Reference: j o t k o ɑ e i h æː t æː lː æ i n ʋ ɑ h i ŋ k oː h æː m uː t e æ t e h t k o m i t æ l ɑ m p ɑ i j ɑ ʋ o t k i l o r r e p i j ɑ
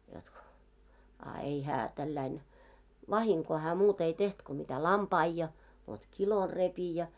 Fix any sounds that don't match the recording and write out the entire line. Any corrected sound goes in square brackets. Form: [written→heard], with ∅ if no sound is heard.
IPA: j o t k o ɑ e i h æː t [æː→æ] lː æ i n ʋ ɑ h i ŋ k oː h æː m uː t e [æ→i] t e h t k o m i t æ l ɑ m p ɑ i j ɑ ʋ o t k i l o r r e p i j ɑ

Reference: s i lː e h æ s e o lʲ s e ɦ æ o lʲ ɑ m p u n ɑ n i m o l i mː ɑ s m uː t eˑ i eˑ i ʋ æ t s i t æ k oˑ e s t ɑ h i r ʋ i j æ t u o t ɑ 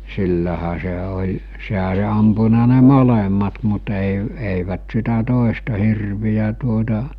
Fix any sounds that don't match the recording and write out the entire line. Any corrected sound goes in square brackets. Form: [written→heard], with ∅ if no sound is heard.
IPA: s i lː [e→æ] h æ s e o lʲ s e ɦ æ o lʲ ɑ m p u n ɑ n [i→e] m o l [i→e] mː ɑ [s→t] m [uː→u] t eˑ i eˑ i ʋ æ t s i t æ [k→t] oˑ e s t ɑ h i r ʋ i j æ t u o t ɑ

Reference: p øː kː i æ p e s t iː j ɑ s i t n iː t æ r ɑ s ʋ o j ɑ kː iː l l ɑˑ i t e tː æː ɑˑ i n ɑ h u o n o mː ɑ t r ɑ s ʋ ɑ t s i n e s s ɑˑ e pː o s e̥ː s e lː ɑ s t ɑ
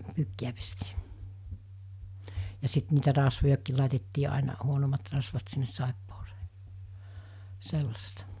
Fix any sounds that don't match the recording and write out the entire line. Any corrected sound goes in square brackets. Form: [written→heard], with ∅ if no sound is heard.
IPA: p [øː→yː] kː i æ p e s t iː j ɑ s i t n iː t æ r ɑ s ʋ o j ɑ kː iː l l ɑˑ i t e tː [æː→iː] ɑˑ i n ɑ h u o n o mː ɑ t r ɑ s ʋ ɑ t s i [n→nː] e s s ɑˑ e pː o s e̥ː s e lː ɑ s t ɑ

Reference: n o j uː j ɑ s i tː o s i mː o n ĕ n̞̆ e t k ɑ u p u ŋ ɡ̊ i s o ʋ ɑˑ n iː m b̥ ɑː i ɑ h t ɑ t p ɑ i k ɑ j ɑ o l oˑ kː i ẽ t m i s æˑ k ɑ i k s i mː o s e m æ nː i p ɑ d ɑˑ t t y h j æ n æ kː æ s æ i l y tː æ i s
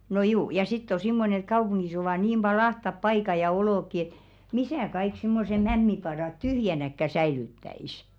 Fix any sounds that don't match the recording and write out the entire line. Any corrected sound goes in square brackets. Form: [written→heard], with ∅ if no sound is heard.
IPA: n o j uː j ɑ s i tː o s i mː o n ĕ n̞̆ e t k ɑ u p u ŋ ɡ̊ i s o ʋ ɑˑ n iː m b̥ [ɑː→ɑ] i ɑ h t ɑ [t→p] p ɑ i k ɑ j ɑ o l oˑ kː i [ẽ→e] t m i s æˑ k ɑ i k s i mː o s e m æ [nː→mː] i p ɑ d ɑˑ t t y h j æ n æ kː æ s æ i l y tː æ i s

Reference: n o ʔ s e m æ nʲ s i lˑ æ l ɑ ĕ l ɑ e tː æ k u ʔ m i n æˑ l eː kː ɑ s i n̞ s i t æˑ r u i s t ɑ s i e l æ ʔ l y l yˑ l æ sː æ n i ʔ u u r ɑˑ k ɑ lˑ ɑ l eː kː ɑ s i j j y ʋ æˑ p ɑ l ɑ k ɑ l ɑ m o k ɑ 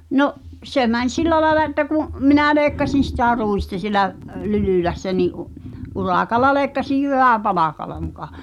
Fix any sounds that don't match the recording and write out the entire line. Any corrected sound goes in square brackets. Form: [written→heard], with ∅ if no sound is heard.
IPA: n o ʔ s e m æ nʲ s i lˑ æ l ɑ ĕ l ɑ e tː æ k u ʔ m i n æˑ l eː kː ɑ s i n̞ s i t æˑ r u i s t ɑ s i e l æ ʔ l y l yˑ l æ sː æ n i ʔ u u r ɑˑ k ɑ lˑ ɑ l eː kː ɑ s i j j y ʋ æˑ p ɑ l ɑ k ɑ l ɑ m [o→u] k ɑ

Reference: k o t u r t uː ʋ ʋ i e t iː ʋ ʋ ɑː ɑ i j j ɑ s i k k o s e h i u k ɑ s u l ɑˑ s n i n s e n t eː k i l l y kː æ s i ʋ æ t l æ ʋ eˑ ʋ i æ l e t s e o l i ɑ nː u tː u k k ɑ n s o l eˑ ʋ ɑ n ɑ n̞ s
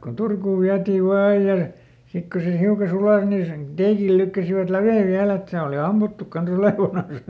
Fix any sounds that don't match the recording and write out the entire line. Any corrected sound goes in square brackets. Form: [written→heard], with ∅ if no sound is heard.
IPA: k o t u r [t→k] uː ʋ ʋ i [e→æ] t iː ʋ ʋ ɑː ɑ i j j ɑ s i k k o s e h i u k ɑ s u l ɑˑ s n i n s e n t eː k i l l y kː æ s i ʋ æ t l æ ʋ eˑ ʋ i æ l e t s e o l i ɑ [nː→mː] u tː u k k ɑ n s o l eˑ ʋ ɑ n ɑ n̞ s

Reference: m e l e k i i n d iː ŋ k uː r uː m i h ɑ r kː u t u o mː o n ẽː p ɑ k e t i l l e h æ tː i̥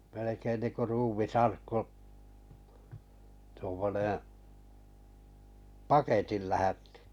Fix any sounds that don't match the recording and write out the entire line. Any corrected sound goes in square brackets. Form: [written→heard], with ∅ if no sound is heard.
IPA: m e l e k [i→e] i n [d→n] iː ŋ k [uː→u] r uː m i [h→s] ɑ r kː u t u o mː o n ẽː p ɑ k e t i l l [e→æ] h æ tː i̥

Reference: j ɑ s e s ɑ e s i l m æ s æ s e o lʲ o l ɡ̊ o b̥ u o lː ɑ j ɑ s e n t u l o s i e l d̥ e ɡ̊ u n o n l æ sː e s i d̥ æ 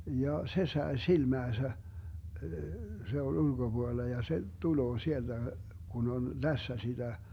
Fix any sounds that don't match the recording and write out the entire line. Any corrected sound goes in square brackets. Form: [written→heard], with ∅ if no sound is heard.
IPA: j ɑ s e s ɑ e s i l m [æ→æː] s æ s e o lʲ [o→u] l ɡ̊ o b̥ u o lː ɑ j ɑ s e [n→∅] t u l [o→oː] s i e l d̥ [e→æ] ɡ̊ u n o n l æ sː [e→æ] s i d̥ æ

